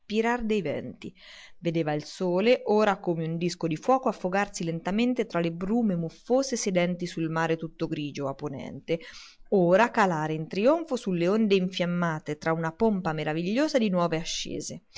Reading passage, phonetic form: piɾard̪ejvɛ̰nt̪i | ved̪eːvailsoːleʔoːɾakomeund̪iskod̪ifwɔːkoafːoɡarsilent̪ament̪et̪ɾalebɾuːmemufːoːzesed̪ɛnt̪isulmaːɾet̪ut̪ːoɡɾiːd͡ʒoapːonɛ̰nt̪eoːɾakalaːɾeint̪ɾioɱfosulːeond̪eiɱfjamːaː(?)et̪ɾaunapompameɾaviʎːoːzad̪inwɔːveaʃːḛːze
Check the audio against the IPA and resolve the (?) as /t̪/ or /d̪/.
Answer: t̪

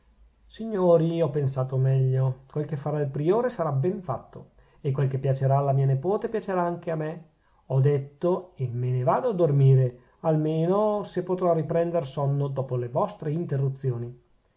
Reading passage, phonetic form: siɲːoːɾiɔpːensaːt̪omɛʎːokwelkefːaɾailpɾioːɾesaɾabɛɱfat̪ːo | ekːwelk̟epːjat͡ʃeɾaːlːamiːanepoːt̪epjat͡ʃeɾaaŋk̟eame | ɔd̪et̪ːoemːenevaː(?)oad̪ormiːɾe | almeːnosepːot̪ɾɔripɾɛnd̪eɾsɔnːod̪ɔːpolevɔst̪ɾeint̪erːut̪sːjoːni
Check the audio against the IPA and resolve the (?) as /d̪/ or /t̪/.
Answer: d̪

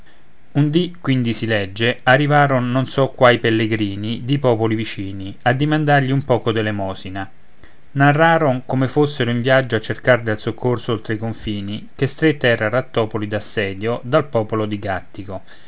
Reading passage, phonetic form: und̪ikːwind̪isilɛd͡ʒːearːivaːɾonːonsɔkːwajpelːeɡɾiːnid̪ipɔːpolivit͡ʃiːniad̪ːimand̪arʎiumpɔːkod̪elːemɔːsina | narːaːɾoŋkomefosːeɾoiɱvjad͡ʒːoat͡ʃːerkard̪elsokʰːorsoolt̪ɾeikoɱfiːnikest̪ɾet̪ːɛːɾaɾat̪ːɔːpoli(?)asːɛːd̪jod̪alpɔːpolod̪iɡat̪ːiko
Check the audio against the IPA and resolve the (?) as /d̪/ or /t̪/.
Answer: d̪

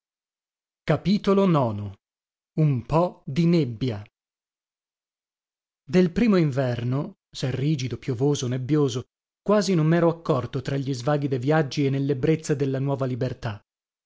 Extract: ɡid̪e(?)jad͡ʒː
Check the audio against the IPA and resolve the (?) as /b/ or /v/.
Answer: v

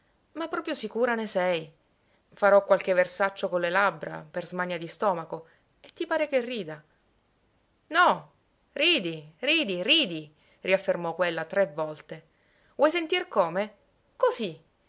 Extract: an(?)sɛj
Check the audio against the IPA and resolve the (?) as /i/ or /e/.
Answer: e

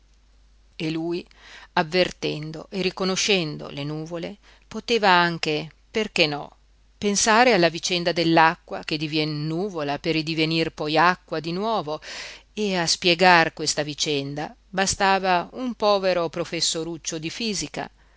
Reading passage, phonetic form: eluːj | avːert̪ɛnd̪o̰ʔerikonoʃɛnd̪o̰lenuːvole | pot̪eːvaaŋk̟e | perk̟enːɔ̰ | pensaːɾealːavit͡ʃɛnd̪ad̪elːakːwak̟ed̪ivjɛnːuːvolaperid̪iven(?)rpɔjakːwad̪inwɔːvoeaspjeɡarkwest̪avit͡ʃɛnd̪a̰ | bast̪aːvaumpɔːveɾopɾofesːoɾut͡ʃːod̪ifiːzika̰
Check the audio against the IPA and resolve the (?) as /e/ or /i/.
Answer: i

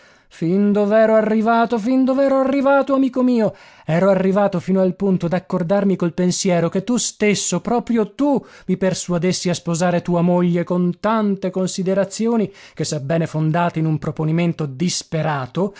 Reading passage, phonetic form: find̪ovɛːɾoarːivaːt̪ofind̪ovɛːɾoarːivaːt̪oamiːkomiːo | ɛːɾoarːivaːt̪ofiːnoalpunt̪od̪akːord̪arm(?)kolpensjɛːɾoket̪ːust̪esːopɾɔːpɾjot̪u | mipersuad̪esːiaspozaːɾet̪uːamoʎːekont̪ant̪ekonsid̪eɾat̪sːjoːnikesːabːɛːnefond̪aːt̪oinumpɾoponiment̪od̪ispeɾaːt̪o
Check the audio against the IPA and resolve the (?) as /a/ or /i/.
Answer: i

